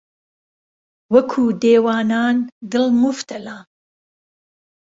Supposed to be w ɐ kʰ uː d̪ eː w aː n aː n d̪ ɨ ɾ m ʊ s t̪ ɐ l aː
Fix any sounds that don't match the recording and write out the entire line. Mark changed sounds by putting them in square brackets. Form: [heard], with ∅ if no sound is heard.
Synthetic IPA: w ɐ kʰ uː d̪ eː w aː n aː n d̪ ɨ [l] m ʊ [f] t̪ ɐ l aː